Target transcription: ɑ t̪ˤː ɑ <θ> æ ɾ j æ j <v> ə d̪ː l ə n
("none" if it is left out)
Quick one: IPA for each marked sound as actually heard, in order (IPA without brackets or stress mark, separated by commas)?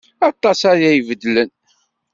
s, v